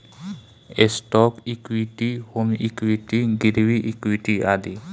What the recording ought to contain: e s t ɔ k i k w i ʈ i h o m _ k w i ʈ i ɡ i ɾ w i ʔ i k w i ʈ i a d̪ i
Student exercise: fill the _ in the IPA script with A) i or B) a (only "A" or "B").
A